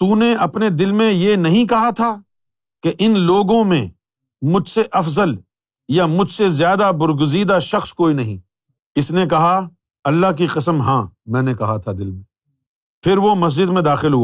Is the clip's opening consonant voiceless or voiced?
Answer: voiceless